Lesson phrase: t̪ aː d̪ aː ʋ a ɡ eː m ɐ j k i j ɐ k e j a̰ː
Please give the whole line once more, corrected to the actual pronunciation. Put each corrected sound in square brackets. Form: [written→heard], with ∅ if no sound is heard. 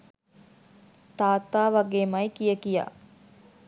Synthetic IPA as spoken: t̪ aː [d̪→t̪] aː ʋ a ɡ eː m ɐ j k i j [ɐ→ə] k [e→i] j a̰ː